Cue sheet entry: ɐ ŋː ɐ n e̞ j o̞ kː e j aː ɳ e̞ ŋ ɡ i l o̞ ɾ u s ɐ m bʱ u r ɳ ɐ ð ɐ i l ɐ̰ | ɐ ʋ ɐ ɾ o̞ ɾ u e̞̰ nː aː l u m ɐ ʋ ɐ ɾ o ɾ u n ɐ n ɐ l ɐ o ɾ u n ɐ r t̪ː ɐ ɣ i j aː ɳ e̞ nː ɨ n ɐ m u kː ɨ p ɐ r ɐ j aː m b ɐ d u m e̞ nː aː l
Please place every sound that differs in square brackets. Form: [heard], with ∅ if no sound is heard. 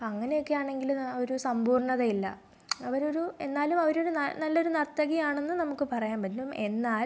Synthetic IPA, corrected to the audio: ɐ ŋː ɐ n e̞ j o̞ kː e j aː ɳ e̞ ŋ ɡ i l o̞ ɾ u s ɐ m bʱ [uː] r ɳ ɐ ð ɐ i [lː] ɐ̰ | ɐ ʋ ɐ ɾ o̞ ɾ u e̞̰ nː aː l u m ɐ ʋ ɐ ɾ o ɾ u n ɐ n ɐ [lː] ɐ o ɾ u n ɐ r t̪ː ɐ ɣ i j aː ɳ e̞ nː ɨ n ɐ m u kː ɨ p ɐ r ɐ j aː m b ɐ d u m e̞ nː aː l

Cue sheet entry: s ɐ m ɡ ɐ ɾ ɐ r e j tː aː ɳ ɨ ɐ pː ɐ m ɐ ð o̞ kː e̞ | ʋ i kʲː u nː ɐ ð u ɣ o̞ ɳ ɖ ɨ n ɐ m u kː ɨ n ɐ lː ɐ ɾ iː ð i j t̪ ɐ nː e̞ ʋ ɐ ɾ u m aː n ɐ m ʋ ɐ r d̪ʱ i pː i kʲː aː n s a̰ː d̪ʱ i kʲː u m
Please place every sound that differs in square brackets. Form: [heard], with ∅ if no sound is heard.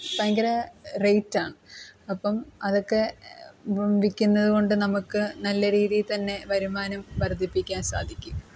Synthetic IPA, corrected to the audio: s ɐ [ŋ] ɡ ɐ ɾ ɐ r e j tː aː ɳ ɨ ɐ pː ɐ m ɐ ð o̞ kː e̞ | ʋ i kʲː u nː ɐ ð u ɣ o̞ ɳ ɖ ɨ n ɐ m u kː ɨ n ɐ lː ɐ ɾ iː ð i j t̪ ɐ nː e̞ ʋ ɐ ɾ u m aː n ɐ m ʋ ɐ r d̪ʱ i pː i kʲː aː n s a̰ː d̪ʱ i kʲː u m

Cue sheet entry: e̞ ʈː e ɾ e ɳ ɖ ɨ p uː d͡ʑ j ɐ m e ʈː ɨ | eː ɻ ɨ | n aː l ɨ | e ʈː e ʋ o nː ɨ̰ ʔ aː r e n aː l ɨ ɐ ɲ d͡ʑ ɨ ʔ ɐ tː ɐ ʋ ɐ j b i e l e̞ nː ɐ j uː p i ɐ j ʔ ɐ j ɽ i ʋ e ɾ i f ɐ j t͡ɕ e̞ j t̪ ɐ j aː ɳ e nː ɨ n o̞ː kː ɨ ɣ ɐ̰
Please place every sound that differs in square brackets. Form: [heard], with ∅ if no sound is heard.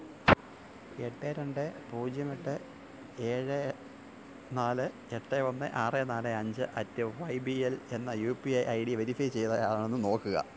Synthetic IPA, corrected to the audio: e̞ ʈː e ɾ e ɳ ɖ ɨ p uː d͡ʑ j ɐ m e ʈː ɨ | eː ɻ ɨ | n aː l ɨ | e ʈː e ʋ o nː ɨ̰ ʔ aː r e n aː l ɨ ɐ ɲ d͡ʑ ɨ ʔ ɐ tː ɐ ʋ ɐ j b i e l e̞ nː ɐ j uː p i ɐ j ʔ ɐ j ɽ i ʋ e ɾ i f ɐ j t͡ɕ e̞ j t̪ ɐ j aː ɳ e nː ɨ n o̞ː kː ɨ ɣ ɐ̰

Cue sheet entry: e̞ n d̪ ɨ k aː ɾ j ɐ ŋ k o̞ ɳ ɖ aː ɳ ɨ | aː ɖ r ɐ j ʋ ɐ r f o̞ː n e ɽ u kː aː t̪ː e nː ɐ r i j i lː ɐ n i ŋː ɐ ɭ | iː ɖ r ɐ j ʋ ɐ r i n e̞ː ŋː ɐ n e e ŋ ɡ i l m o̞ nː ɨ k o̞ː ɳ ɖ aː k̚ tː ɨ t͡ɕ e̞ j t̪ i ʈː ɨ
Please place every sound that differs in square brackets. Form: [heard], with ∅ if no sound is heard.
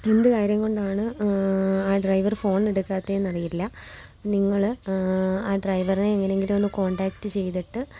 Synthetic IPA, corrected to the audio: e̞ n d̪ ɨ k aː ɾ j ɐ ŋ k o̞ ɳ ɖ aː ɳ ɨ | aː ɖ r ɐ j ʋ ɐ r f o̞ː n e ɽ u kː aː t̪ː e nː ɐ r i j i lː ɐ n i ŋː ɐ ɭ | [aː] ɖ r ɐ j ʋ ɐ r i n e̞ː ŋː ɐ n e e ŋ ɡ i l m o̞ nː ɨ k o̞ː ɳ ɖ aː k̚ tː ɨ t͡ɕ e̞ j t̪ i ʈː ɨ

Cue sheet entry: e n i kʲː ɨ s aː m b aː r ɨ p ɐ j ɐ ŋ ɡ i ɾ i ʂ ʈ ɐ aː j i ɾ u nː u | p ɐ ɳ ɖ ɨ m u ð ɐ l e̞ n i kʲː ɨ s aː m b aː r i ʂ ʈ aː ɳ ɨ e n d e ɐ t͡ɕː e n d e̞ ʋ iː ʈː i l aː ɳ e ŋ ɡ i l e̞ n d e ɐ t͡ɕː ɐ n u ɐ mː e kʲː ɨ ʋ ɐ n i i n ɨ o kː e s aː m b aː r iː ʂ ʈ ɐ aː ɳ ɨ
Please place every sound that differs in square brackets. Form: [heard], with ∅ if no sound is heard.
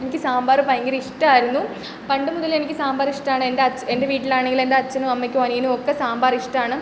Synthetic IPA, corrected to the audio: e n i kʲː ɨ s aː m b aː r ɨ p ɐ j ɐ ŋ ɡ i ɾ i ʂ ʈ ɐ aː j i ɾ u nː u | p ɐ ɳ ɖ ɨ m u ð ɐ l e̞ n i kʲː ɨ s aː m b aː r i ʂ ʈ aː ɳ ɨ e n d e ɐ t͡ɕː e n d e̞ ʋ iː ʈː i l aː ɳ e ŋ ɡ i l e̞ n d e ɐ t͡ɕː ɐ n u ɐ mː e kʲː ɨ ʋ ɐ n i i n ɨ o kː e s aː m b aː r [i] ʂ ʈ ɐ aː ɳ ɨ

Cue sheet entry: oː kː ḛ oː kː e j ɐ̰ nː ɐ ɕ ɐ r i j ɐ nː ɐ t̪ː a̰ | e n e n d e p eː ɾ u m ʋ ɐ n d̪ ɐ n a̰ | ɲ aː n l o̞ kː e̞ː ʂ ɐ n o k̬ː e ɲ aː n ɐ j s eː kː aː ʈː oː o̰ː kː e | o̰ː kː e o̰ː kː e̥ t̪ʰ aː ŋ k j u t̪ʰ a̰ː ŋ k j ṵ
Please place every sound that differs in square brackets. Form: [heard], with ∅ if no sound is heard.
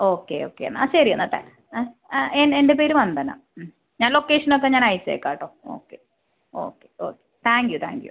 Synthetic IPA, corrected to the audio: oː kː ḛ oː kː e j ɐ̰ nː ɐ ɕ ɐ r i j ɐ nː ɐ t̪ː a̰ | e n e n d e p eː ɾ u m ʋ ɐ n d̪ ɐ n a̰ | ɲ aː n l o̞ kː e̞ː ʂ ɐ n o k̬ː e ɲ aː n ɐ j s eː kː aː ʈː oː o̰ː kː e | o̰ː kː e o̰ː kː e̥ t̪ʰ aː ŋ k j u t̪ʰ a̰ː ŋ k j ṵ

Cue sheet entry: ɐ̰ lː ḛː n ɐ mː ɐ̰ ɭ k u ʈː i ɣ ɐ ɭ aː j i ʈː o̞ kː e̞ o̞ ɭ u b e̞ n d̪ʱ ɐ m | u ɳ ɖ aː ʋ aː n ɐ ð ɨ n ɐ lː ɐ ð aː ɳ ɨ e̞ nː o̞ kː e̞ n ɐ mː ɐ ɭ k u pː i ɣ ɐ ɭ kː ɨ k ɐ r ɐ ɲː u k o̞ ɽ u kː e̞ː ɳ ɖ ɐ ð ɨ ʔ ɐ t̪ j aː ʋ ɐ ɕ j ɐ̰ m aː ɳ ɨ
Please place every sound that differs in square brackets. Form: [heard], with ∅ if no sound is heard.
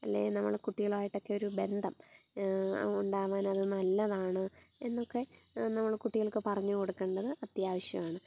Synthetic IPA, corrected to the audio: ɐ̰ lː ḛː n ɐ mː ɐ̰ ɭ k u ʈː i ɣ ɐ ɭ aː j i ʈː o̞ kː e̞ o̞ [ɾ] u b e̞ n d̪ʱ ɐ m | u ɳ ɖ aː ʋ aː n ɐ ð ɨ n ɐ lː ɐ ð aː ɳ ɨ e̞ nː o̞ kː e̞ n ɐ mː ɐ ɭ k u [ʈː] i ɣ ɐ ɭ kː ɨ [p] ɐ r ɐ ɲː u k o̞ ɽ u kː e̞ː ɳ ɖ ɐ ð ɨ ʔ ɐ t̪ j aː ʋ ɐ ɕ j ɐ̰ m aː ɳ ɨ

